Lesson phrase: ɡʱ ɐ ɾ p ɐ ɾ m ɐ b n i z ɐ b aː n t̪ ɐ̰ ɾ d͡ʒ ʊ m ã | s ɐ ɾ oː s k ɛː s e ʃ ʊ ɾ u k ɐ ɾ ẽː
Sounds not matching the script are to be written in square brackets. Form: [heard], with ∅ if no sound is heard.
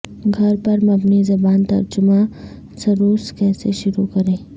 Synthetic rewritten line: ɡʱ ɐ ɾ p ɐ ɾ m ɐ b n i z ɐ b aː n t̪ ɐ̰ ɾ d͡ʒ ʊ m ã | s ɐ ɾ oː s k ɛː s e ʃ ʊ ɾ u k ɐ ɾ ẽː